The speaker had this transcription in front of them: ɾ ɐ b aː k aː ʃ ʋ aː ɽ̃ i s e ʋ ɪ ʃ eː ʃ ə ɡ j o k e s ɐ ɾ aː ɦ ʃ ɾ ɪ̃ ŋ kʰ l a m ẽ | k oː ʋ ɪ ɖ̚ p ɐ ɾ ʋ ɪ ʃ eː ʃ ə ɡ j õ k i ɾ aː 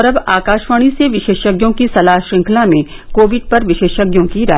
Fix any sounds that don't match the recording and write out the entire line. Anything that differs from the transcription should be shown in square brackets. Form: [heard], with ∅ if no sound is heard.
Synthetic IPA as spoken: ɾ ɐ b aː k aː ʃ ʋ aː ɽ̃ i s e ʋ ɪ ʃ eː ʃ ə ɡ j [õ] k [i] s ɐ [l] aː ɦ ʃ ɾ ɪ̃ ŋ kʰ l a m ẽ | k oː ʋ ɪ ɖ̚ p ɐ ɾ ʋ ɪ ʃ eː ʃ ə ɡ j õ k i ɾ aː